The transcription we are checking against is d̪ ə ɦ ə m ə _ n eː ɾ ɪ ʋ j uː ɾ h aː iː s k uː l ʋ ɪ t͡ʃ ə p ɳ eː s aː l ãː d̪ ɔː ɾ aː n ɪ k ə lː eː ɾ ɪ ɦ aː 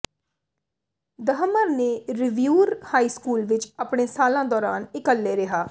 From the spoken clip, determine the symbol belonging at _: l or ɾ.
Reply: ɾ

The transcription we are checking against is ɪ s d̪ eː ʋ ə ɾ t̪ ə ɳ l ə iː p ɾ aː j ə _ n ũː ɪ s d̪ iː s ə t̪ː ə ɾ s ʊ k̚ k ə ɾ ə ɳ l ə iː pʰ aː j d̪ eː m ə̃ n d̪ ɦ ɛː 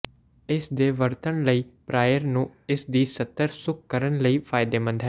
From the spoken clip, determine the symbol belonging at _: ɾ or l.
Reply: ɾ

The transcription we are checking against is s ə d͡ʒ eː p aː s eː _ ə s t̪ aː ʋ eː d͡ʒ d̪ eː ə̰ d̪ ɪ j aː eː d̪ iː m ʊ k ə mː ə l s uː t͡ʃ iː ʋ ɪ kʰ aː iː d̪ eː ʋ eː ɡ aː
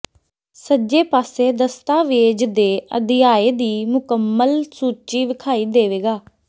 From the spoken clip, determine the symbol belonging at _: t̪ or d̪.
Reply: d̪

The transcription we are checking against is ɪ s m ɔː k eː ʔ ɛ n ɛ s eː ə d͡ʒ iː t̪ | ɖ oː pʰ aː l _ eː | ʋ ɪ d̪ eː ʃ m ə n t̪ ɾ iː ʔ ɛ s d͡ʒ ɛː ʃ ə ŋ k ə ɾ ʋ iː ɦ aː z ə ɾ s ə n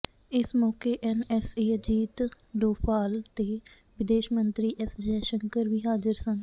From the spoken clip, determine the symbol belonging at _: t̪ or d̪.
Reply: t̪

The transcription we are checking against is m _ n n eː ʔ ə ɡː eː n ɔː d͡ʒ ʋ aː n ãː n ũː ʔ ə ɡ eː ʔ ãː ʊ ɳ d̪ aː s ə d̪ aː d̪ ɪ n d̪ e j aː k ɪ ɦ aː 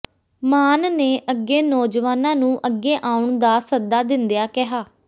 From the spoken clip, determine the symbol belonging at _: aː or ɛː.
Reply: aː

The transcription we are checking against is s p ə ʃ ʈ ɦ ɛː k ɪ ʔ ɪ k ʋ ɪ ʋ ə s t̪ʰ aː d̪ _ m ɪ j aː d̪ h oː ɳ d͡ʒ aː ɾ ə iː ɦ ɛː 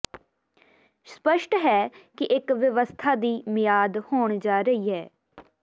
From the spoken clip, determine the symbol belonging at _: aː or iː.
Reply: iː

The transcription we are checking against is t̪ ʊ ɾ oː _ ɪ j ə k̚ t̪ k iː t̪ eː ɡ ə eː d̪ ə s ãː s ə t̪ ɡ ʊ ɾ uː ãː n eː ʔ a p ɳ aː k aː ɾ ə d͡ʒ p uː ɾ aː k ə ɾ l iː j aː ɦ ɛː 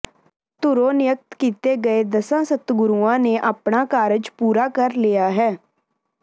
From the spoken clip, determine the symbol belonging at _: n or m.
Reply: n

